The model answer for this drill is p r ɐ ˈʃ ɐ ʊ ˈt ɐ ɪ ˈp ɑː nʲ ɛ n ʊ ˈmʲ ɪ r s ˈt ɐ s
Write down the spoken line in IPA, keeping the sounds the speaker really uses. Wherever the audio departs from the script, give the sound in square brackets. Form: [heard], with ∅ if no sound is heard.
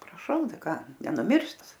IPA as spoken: p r ɐ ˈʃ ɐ ʊ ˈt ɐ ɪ [ˈk] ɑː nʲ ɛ n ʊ ˈmʲ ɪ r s ˈt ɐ s